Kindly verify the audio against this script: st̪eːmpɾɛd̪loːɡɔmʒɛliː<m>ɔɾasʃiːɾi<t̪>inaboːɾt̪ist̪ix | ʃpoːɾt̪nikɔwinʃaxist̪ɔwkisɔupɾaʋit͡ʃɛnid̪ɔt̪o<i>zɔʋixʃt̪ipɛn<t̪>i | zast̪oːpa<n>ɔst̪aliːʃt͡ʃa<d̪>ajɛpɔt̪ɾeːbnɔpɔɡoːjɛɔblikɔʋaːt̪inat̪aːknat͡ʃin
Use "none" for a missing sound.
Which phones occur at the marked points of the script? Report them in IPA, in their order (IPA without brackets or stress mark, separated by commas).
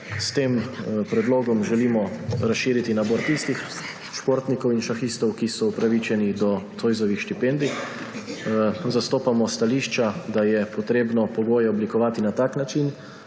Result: m, t̪, j, d̪, m, d̪